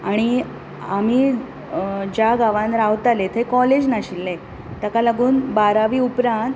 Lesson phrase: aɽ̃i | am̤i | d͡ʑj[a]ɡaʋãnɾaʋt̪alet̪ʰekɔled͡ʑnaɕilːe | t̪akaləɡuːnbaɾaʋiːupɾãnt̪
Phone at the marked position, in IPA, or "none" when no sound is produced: a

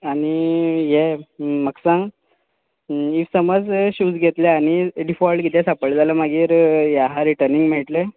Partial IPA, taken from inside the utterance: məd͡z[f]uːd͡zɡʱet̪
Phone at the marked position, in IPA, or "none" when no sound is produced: ɕ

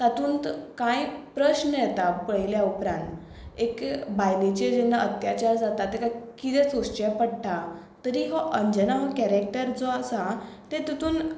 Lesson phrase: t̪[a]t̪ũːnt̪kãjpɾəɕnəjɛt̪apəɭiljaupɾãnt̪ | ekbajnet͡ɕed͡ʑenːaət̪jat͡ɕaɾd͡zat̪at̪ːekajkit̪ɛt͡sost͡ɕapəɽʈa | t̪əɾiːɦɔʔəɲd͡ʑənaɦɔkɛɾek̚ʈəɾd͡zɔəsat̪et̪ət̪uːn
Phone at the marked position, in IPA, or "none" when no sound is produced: a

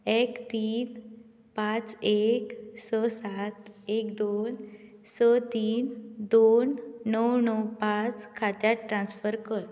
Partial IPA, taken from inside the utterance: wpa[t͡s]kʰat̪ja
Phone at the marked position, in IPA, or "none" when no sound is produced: t͡s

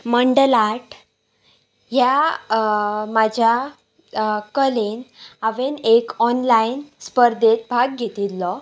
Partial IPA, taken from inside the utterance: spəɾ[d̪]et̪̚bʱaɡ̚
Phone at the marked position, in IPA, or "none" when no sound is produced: d̪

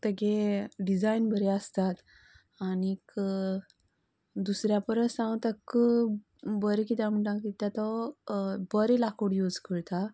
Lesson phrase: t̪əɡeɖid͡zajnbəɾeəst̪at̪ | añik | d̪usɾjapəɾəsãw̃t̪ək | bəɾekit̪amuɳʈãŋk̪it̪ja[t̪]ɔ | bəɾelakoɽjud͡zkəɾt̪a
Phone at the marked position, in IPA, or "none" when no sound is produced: t̪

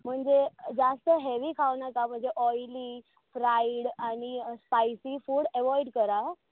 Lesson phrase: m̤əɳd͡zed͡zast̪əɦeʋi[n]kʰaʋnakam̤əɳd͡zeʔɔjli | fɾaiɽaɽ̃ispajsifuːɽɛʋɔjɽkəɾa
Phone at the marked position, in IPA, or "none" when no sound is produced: none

